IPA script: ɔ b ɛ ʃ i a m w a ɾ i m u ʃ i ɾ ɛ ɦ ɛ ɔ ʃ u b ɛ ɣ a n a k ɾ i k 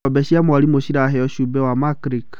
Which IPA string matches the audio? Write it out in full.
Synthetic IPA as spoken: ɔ b ɛ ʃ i a m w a ɾ i m o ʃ i ɾ a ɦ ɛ ɔ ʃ u b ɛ w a m a k ɾ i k